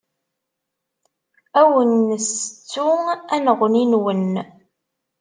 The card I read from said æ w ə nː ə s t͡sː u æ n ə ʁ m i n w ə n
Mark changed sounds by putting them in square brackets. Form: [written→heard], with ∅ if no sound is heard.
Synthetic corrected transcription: æ w ə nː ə s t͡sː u æ n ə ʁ [m→n] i n w ə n